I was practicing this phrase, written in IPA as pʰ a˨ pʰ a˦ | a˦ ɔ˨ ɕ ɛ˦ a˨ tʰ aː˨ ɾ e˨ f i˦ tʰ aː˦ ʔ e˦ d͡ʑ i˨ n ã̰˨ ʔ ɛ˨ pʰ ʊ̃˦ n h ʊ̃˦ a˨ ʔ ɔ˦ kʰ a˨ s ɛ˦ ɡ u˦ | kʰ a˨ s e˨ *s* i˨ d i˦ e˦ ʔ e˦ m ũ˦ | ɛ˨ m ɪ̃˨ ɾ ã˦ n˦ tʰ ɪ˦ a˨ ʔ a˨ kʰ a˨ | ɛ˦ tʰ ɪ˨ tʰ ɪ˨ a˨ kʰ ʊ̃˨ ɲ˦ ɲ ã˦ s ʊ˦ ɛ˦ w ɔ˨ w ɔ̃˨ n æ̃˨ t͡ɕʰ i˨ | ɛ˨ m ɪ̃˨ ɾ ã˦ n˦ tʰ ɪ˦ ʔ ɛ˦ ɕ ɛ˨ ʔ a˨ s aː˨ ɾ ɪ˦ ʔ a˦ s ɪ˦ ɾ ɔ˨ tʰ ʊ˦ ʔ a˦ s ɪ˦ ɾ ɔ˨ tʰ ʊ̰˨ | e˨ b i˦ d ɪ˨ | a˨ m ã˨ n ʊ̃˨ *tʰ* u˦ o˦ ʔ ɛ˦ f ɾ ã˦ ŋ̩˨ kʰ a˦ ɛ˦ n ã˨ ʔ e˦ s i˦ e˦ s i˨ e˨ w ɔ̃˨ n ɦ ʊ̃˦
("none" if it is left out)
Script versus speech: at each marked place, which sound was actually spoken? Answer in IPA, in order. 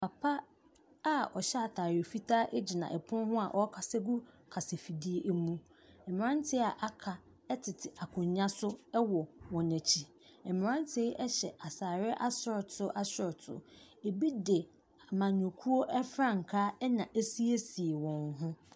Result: f, kʰ

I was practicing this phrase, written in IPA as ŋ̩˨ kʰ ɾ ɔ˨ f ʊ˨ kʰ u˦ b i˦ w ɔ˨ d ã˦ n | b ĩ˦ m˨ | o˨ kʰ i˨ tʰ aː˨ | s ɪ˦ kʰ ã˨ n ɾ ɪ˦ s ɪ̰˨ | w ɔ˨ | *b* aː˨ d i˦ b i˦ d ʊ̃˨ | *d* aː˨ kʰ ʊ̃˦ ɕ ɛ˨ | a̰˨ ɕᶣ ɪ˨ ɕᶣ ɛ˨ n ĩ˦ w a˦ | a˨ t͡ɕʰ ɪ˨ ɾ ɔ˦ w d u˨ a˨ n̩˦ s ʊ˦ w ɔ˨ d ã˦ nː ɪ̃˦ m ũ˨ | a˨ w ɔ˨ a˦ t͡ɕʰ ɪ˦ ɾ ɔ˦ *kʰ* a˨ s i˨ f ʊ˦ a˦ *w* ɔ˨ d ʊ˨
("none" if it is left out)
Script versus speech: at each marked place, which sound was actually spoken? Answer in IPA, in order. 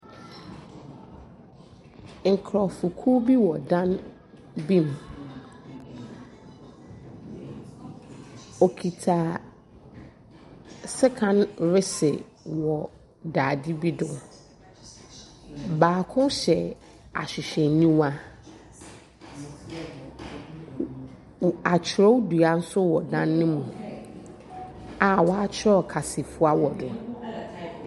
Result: d, b, kʰ, w

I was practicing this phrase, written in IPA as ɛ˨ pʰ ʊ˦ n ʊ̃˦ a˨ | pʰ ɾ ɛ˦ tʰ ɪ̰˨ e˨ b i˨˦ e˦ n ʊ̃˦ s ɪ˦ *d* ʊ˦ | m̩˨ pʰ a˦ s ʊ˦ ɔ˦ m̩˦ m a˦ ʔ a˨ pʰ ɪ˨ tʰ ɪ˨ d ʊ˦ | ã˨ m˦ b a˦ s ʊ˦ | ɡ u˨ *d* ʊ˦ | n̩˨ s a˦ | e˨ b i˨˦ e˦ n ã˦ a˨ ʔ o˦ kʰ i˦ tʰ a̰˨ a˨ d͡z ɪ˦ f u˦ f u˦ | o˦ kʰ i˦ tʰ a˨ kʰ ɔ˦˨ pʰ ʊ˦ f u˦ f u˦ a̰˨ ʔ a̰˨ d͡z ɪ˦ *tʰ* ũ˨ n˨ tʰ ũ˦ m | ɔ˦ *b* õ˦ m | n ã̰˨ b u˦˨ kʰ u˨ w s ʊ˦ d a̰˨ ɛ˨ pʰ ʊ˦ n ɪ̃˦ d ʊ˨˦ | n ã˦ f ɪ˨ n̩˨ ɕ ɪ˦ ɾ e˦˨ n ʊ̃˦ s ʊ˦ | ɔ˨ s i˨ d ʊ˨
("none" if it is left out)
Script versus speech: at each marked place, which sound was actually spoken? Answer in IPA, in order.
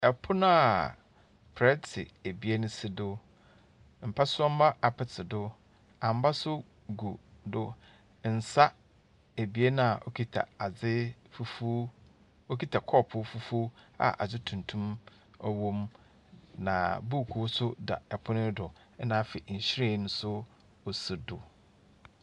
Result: d, d, tʰ, w

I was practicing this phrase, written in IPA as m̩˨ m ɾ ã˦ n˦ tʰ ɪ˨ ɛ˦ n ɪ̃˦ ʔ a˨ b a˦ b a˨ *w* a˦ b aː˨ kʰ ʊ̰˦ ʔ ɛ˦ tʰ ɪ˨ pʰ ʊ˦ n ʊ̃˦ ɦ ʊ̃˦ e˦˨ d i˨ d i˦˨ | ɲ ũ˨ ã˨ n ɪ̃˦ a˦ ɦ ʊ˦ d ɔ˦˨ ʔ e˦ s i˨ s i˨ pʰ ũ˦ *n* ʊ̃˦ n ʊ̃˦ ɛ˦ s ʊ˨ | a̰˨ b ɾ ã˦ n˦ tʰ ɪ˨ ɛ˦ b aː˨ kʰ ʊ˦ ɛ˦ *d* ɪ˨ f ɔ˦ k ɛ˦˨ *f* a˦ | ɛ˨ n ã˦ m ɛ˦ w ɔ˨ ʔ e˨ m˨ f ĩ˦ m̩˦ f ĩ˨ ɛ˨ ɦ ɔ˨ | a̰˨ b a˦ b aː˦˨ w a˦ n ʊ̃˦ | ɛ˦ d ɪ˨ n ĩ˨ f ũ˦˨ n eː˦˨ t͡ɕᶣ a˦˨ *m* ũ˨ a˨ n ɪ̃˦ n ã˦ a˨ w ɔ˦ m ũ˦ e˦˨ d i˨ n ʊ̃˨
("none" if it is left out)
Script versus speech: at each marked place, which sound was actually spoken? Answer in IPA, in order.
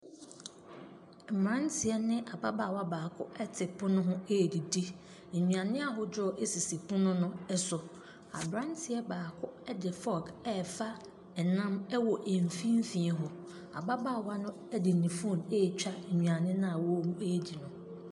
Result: w, n, d, f, ɲ

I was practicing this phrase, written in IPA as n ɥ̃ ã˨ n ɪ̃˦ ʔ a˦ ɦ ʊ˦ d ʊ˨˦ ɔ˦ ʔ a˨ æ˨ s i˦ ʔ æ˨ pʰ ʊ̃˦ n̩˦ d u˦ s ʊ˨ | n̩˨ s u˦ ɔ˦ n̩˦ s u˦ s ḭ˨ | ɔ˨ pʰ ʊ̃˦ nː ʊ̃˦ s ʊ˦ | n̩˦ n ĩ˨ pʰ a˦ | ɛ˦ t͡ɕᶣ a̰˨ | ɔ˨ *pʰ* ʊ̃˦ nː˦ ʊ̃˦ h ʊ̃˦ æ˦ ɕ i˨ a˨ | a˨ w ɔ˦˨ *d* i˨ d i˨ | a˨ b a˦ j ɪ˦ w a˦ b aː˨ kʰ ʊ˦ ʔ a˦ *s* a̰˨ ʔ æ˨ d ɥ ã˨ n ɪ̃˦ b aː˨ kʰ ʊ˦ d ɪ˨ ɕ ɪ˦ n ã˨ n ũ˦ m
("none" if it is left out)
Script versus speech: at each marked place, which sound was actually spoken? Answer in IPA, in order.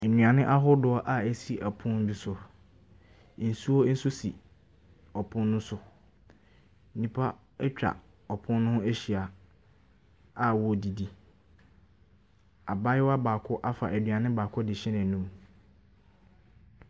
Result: pʰ, d, f

